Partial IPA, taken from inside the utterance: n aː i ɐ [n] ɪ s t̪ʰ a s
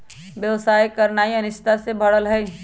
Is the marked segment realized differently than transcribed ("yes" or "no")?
no